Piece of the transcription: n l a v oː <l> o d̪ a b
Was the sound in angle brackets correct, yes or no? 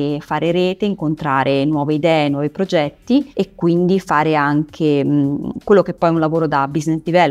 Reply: no